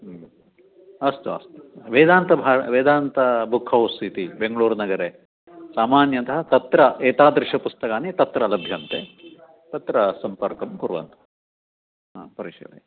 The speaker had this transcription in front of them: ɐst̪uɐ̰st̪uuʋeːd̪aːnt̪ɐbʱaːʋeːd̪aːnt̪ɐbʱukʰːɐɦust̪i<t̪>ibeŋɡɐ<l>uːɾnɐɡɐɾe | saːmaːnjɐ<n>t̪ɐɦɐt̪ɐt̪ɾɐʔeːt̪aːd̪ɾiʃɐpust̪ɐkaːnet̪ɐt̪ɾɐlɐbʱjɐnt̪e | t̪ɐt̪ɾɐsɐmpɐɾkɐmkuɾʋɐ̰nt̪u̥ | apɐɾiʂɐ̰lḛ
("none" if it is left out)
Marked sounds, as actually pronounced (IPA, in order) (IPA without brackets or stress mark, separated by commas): t̪, ɭ, n